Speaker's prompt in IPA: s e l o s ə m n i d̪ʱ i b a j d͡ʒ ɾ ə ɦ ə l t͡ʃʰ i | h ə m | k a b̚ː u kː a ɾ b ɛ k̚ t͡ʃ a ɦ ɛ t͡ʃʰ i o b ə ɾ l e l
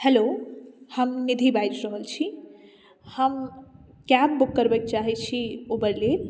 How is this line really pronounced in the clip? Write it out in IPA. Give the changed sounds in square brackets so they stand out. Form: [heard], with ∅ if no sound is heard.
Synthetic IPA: [h] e l o [h] ə m n i d̪ʱ i b a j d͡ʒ ɾ ə ɦ ə l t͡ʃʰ i | h ə m | k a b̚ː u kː [ə] ɾ b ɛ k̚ t͡ʃ a ɦ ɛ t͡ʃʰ i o b ə ɾ l e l

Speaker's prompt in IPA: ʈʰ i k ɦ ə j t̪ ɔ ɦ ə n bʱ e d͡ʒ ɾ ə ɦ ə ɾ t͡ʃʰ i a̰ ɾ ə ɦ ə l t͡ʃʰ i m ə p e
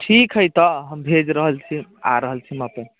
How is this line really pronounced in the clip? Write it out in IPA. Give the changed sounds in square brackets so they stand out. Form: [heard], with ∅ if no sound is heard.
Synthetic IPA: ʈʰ i k ɦ ə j t̪ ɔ ɦ ə [m] bʱ e d͡ʒ ɾ ə ɦ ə [l] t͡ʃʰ i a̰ ɾ ə ɦ ə l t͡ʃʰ i m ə p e

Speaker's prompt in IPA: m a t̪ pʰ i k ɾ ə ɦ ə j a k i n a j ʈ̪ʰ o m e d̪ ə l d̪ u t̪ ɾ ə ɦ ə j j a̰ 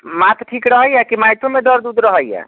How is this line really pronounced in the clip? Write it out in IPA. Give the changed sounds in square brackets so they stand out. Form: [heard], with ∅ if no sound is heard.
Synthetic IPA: m a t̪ [ʈʰ] i k ɾ ə ɦ ə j a k i [m] a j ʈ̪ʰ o m e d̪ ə [ɾ] d̪ u [d̪] ɾ ə ɦ ə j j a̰

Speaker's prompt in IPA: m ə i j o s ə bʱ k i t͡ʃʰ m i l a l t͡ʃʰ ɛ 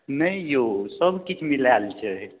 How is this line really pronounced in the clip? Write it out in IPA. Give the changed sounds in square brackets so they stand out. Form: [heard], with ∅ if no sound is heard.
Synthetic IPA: [n] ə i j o s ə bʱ k i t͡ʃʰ m i l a l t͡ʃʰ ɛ

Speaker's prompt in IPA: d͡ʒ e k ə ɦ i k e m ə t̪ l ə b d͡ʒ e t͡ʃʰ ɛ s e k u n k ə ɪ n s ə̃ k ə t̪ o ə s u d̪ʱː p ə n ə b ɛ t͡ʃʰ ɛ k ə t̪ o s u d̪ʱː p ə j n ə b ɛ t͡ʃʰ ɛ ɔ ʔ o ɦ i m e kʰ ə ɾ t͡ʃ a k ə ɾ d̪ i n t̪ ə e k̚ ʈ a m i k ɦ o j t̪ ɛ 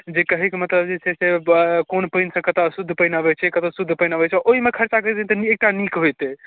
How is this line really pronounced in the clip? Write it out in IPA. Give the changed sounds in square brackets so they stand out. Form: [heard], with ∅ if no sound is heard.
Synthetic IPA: d͡ʒ e k ə ɦ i k e m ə t̪ l ə b d͡ʒ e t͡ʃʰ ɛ s e k [o] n [p] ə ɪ n s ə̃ k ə t̪ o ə s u d̪ʱː p ə n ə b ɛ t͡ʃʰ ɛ k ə t̪ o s u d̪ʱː p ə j n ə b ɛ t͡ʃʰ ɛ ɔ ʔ o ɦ i m e kʰ ə ɾ t͡ʃ a k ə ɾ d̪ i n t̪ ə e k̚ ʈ a [n] i k ɦ o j t̪ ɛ

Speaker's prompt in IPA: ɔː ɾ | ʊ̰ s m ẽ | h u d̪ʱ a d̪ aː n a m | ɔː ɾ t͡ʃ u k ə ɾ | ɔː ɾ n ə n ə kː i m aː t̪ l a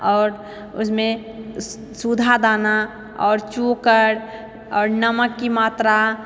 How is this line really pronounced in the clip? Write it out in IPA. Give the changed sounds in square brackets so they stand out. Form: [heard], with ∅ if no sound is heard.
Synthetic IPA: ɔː ɾ | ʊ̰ s m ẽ | [s] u d̪ʱ a d̪ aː n a [∅] | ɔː ɾ t͡ʃ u k ə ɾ | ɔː ɾ n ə [m] ə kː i m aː t̪ [ɾ] a

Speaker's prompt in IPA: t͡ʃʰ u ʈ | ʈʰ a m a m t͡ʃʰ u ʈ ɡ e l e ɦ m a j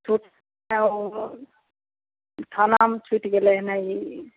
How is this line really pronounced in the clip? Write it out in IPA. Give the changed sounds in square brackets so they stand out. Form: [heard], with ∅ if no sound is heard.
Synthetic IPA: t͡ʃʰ u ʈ | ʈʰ a [n] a m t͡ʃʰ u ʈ ɡ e l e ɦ [n] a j

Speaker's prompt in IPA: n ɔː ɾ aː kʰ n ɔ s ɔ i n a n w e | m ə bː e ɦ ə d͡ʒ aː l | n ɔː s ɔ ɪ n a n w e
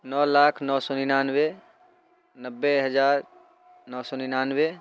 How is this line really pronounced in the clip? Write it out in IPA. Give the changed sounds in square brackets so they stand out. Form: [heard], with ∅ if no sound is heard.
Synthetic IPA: n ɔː [l] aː kʰ n ɔ s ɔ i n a n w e | [n] ə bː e ɦ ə d͡ʒ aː [ɾ] | n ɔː s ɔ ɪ n a n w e

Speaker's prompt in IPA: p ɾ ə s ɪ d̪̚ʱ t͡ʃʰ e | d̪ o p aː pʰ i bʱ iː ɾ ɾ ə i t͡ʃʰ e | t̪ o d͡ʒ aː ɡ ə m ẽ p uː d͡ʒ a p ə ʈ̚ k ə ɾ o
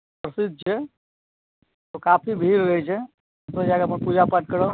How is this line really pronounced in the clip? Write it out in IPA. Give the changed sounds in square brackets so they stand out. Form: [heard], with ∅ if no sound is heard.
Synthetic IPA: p ɾ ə s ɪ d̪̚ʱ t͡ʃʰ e | [t̪] o [k] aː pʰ i bʱ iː ɾ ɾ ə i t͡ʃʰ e | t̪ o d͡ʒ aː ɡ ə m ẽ p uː d͡ʒ a p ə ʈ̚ k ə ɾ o

